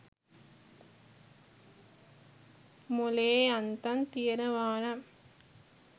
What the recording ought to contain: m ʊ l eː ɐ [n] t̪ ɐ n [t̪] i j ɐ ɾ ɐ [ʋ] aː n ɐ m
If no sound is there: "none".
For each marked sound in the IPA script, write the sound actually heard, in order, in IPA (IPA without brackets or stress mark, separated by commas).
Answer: n, t̪, ʋ